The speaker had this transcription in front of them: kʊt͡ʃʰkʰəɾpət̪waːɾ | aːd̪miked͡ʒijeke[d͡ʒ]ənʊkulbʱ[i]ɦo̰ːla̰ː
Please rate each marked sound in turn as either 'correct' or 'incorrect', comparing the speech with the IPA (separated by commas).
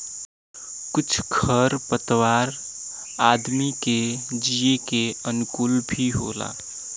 incorrect, correct